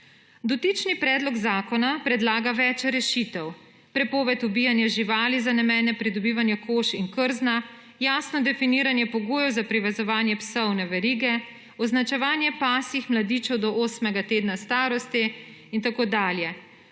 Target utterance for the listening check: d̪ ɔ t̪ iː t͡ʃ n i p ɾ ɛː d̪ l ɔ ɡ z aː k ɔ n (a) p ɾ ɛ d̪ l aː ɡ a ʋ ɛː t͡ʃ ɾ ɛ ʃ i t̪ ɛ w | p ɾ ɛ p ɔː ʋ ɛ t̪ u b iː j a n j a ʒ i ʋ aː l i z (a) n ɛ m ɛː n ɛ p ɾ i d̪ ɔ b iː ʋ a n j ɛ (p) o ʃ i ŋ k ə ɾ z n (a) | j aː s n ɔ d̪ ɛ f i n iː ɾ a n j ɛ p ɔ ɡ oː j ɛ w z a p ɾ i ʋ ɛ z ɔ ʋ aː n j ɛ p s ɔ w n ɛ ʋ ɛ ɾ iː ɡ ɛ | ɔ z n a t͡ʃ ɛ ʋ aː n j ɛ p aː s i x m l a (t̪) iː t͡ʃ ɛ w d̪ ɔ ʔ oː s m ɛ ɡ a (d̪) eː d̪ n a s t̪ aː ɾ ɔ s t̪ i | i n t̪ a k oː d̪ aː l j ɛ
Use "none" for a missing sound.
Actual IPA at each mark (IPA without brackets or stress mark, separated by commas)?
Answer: a, a, k, a, d̪, t̪